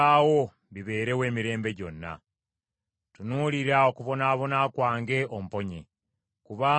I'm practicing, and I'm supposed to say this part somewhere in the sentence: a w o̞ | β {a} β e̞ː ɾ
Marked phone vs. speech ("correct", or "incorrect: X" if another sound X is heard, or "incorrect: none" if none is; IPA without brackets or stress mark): incorrect: i